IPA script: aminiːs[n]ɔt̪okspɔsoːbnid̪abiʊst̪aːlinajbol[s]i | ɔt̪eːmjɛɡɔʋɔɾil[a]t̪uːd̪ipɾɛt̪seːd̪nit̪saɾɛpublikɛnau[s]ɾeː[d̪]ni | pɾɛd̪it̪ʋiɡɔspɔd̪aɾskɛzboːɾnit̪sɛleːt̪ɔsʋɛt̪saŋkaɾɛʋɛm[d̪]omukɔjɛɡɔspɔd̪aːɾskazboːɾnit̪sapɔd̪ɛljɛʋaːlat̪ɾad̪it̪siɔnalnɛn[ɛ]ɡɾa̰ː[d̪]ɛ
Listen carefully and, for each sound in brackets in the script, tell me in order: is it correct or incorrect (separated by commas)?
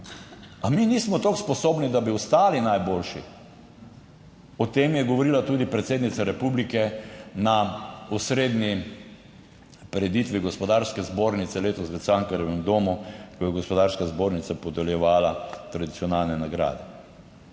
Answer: incorrect, incorrect, correct, correct, correct, correct, incorrect, correct